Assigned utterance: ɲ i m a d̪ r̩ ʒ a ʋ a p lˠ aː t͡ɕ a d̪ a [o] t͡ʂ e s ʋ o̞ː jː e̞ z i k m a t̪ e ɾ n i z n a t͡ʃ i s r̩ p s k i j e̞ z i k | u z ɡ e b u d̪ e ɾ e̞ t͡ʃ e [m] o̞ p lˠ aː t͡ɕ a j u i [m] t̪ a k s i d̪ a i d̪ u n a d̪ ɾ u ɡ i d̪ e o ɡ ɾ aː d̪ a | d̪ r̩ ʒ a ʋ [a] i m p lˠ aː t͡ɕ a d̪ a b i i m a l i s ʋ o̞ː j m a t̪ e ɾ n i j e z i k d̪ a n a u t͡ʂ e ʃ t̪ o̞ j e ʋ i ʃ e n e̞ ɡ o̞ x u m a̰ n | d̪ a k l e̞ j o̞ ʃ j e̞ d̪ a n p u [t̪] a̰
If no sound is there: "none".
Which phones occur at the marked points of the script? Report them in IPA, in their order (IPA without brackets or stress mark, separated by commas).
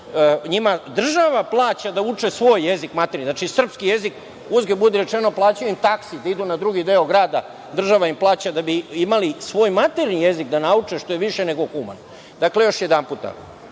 u, n, m, a, t̪